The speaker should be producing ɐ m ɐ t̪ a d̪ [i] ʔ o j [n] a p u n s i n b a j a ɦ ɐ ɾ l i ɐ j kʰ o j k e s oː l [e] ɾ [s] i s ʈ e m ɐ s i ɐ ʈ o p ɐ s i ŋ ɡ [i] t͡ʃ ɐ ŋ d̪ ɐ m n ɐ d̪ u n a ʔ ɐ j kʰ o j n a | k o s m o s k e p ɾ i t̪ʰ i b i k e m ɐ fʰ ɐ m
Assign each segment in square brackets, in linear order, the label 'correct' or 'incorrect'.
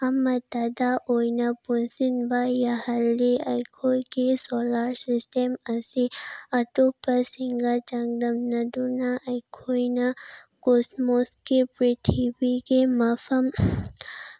incorrect: a, correct, incorrect: a, correct, incorrect: a

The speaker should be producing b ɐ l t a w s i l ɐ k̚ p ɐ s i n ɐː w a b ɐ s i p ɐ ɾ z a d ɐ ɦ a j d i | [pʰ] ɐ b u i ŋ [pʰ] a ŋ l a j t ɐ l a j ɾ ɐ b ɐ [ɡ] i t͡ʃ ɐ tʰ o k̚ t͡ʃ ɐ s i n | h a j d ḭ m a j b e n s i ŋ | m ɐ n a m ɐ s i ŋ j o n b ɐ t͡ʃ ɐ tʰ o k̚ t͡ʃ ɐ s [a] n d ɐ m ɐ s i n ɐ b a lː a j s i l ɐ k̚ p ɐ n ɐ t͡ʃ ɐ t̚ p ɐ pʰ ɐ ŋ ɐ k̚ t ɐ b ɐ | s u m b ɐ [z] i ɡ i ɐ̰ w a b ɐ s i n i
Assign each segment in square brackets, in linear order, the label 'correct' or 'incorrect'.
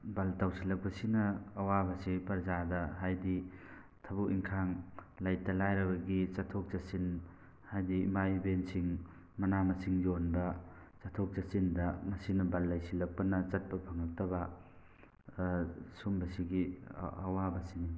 incorrect: tʰ, incorrect: kʰ, correct, incorrect: i, incorrect: s

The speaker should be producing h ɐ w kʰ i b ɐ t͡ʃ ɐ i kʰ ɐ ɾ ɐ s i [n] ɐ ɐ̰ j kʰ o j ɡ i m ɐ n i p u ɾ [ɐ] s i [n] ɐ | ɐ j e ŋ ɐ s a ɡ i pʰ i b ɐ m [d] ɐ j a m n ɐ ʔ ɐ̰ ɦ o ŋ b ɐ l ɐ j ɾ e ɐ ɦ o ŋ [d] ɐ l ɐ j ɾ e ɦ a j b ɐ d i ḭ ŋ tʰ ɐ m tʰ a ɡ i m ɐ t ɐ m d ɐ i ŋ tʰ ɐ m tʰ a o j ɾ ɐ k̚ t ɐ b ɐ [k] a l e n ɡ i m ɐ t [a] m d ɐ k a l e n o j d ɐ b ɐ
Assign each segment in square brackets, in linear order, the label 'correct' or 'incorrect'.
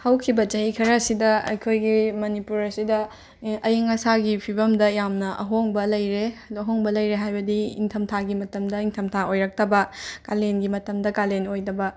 incorrect: d, correct, incorrect: d, correct, incorrect: b, correct, incorrect: ɐ

